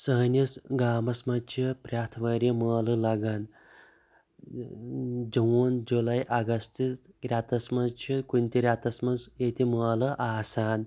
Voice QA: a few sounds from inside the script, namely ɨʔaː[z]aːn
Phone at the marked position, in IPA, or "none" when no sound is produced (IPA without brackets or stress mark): s